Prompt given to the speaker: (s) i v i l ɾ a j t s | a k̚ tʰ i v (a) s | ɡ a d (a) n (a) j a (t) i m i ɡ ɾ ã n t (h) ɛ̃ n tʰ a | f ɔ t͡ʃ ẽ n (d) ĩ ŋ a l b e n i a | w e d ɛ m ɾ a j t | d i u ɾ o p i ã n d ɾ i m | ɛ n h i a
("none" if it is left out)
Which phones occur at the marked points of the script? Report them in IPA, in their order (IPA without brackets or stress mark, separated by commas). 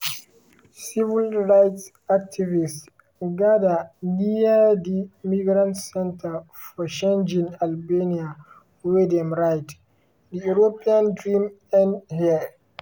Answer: s, i, a, i, d, s, d͡ʒ